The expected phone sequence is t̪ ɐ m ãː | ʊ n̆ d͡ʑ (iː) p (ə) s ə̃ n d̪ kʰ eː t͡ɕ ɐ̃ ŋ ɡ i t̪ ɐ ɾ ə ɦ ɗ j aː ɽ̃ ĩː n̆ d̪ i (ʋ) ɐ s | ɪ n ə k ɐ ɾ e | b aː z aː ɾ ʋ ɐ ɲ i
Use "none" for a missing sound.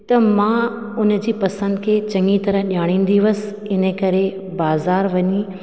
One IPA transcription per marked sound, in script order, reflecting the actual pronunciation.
iː, ɐ, ʋ

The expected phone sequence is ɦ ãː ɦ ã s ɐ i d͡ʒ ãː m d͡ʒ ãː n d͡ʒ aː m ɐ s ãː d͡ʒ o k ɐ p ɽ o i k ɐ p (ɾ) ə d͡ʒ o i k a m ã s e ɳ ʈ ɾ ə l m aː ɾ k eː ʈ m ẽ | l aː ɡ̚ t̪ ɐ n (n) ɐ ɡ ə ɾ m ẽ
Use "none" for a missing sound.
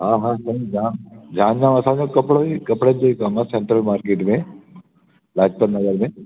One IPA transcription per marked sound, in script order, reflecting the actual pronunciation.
ɽ, n

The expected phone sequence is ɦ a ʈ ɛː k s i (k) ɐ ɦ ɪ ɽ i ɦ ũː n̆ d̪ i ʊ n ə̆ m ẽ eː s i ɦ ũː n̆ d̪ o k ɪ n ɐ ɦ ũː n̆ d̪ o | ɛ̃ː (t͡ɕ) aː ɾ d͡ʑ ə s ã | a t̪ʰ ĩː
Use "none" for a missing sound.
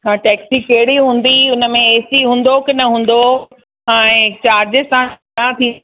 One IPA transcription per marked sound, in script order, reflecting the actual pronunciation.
k, t͡ɕ

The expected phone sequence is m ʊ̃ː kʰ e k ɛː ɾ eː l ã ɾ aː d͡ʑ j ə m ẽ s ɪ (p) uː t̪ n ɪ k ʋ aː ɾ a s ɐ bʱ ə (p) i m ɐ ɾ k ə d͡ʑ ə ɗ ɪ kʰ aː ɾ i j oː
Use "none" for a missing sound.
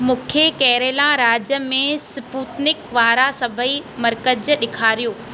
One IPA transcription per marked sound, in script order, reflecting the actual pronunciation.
p, none

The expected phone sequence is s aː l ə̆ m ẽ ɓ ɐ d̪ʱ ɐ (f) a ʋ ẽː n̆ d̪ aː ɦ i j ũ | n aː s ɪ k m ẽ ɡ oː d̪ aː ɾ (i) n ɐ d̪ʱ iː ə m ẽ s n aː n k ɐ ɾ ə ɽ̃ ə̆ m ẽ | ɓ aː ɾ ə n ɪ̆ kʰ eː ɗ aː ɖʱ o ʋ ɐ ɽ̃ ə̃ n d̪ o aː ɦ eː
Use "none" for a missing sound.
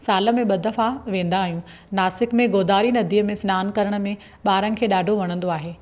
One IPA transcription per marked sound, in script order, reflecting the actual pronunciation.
f, i

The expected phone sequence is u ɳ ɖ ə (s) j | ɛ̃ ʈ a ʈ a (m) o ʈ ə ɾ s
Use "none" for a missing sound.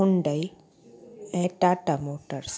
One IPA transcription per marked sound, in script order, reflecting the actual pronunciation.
none, m

